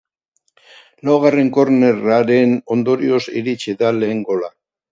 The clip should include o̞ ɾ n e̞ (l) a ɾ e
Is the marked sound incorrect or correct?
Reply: incorrect